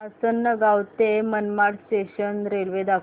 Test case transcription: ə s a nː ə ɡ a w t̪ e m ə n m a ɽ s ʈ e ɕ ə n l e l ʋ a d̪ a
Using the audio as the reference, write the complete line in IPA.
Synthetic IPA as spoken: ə s ə nː ə ɡ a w t̪ e m ə n m a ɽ s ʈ e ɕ ə n ɾ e l ʋ e d̪ a